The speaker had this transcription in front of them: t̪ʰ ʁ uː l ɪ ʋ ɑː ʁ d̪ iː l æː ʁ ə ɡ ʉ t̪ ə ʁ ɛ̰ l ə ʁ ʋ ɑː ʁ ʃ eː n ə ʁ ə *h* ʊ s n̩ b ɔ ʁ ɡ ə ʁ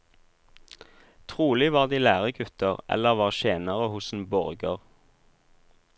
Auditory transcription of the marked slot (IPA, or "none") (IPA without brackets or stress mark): h